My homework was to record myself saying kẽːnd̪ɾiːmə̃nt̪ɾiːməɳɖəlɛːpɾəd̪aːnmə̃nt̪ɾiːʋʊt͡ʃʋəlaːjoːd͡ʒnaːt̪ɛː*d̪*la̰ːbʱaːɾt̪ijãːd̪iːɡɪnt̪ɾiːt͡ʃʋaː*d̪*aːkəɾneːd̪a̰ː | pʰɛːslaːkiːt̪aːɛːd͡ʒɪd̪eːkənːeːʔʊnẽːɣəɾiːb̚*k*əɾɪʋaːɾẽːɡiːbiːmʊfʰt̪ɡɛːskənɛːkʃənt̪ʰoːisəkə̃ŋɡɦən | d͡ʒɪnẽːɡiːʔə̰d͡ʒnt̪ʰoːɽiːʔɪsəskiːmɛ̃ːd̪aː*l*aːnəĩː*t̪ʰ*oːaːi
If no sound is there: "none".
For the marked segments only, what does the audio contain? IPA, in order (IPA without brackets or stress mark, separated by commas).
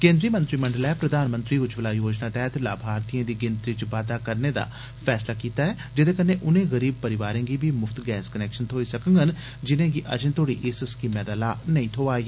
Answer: t̪, d̪, p, l, t̪ʰ